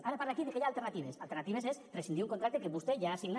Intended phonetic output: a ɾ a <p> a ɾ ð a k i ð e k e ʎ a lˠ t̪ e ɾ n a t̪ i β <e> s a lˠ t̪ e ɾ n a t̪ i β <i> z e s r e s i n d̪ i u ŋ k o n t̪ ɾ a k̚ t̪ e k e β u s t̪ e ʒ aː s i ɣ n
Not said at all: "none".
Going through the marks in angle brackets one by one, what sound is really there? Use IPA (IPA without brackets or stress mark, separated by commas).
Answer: p, e, e